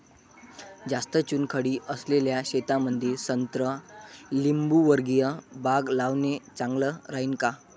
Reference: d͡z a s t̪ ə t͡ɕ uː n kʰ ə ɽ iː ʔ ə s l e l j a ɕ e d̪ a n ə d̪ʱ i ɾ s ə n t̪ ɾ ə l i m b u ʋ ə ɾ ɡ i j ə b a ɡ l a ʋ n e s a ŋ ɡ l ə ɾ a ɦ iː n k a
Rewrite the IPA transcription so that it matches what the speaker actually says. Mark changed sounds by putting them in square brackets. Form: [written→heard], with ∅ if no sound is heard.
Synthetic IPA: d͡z a s t̪ ə t͡ɕ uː n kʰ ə ɽ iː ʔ ə s l e l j a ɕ e [d̪→t̪] a [n→m] ə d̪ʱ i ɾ s ə n t̪ ɾ ə l i m b u ʋ ə ɾ ɡ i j ə b a ɡ l a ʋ n e [s→t͡s] a ŋ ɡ l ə ɾ a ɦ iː n k a

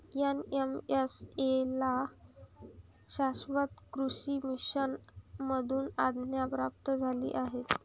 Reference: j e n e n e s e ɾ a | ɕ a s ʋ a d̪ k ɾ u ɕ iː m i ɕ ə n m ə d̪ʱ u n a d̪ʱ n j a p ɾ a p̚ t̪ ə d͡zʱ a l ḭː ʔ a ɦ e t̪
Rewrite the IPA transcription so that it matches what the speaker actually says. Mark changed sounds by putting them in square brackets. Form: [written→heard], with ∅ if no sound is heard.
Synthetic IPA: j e n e [n→m] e s e [ɾ→l] a | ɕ a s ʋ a [d̪→t̪] k ɾ u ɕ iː m i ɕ ə n m ə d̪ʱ [u→uː] n a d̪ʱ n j a p ɾ a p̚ t̪ ə d͡zʱ a l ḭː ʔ a ɦ e t̪

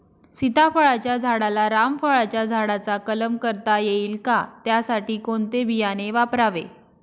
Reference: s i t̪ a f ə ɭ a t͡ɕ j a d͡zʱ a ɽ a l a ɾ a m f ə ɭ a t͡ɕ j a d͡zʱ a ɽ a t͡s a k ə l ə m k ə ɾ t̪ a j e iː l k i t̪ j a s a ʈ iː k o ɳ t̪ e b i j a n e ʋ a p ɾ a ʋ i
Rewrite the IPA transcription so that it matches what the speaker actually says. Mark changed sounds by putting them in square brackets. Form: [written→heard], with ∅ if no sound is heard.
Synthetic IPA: s i t̪ a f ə ɭ a t͡ɕ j a d͡zʱ a ɽ a l a ɾ a m f ə ɭ a t͡ɕ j a d͡zʱ a ɽ a t͡s a k ə l ə m k ə ɾ t̪ a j e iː l k [i→a] t̪ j a s a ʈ iː k o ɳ t̪ e b i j a n e ʋ a p ɾ a ʋ [i→e]

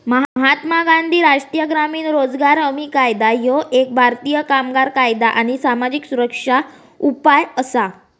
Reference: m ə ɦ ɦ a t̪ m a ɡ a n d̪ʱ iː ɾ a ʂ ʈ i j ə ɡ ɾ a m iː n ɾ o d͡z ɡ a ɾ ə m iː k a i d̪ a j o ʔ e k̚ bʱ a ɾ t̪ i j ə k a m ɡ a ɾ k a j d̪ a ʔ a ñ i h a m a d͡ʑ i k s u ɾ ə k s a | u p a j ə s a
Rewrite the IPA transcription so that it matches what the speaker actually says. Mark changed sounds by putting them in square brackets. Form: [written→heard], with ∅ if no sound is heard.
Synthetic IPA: m ə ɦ ɦ a t̪ m a ɡ a n d̪ʱ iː ɾ a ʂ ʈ i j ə ɡ ɾ a m iː n ɾ o d͡z ɡ a ɾ ə m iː k a [i→j] d̪ a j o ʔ e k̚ bʱ a ɾ t̪ i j ə k a m ɡ a ɾ k a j d̪ a ʔ a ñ i [h→s] a m a d͡ʑ i k s u ɾ ə k [s→ʂ] a | u p a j ə s a

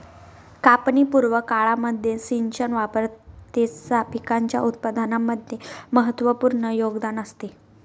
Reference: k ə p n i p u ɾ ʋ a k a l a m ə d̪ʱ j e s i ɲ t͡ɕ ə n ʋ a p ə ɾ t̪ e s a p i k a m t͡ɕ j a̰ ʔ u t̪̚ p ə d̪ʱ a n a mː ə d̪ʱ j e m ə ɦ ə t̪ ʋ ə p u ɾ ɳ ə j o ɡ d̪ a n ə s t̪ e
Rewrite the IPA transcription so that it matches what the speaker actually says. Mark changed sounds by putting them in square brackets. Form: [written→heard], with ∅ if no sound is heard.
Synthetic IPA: k [ə→a] p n i p u ɾ ʋ [a→ə] k a [l→ɭ] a m ə d̪ʱ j e s i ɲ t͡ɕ ə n ʋ a p ə ɾ t̪ e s a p i k a [m→ɲ] t͡ɕ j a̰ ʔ u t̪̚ p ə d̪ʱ a n a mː ə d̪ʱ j e m ə ɦ ə t̪ ʋ ə p u ɾ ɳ ə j o ɡ d̪ a n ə s t̪ e

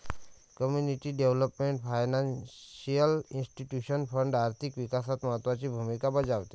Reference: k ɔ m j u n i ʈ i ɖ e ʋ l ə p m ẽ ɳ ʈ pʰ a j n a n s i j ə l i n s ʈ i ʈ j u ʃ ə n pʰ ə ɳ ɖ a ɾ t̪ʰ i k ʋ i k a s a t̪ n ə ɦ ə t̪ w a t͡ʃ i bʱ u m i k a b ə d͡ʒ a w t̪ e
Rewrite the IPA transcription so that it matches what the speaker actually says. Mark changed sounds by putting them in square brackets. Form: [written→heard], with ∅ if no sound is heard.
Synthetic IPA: k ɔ m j u n i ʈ i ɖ e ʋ l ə p m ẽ ɳ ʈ pʰ a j n a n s i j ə l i n s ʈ i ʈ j u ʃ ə n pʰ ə ɳ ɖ a ɾ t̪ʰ i k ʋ i k a s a t̪ [n→m] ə ɦ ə t̪ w a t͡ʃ i bʱ u m i k a b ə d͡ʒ a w t̪ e

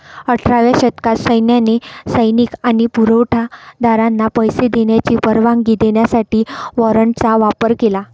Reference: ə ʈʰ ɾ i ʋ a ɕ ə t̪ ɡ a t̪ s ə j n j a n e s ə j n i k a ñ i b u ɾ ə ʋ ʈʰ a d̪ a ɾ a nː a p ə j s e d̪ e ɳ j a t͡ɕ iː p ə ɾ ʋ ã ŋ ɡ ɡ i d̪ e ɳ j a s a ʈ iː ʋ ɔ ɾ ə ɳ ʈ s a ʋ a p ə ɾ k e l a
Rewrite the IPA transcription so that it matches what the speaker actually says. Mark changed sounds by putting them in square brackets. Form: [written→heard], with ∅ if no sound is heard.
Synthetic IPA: ə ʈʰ ɾ [i→a] ʋ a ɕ ə t̪ [ɡ→k] a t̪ s ə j n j a n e s ə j n i k a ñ i [b→p] u ɾ ə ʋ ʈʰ a d̪ a ɾ a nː a p ə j s e d̪ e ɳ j a t͡ɕ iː p ə ɾ ʋ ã ŋ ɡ ɡ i d̪ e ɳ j a s a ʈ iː ʋ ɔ ɾ ə ɳ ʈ [s→t͡s] a ʋ a p ə ɾ k e l a

